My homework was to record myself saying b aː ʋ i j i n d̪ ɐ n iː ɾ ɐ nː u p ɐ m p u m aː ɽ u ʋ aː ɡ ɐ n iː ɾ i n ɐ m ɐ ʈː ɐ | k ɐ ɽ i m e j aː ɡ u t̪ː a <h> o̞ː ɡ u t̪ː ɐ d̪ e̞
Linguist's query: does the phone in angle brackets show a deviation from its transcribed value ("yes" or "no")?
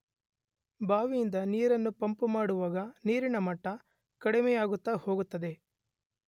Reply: no